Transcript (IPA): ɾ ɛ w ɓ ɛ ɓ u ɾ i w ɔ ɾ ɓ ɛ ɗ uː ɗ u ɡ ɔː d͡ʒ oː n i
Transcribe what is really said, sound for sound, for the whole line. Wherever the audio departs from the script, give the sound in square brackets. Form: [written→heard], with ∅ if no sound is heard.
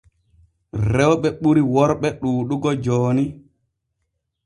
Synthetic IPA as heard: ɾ ɛ w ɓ ɛ ɓ u ɾ i w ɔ ɾ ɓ ɛ ɗ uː ɗ u ɡ [ɔː→ɔ] d͡ʒ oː n i